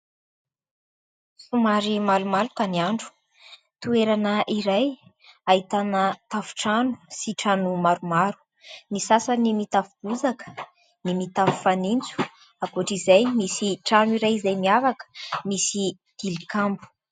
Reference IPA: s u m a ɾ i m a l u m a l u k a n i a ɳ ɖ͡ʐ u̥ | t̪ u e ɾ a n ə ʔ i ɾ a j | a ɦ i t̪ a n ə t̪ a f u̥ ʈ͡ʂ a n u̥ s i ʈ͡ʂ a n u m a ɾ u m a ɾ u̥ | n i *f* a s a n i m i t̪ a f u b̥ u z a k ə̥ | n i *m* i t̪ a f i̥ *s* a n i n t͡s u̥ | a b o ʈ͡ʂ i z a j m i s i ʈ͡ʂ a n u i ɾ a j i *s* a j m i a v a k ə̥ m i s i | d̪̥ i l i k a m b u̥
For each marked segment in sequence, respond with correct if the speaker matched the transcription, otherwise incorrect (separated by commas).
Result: incorrect, correct, incorrect, incorrect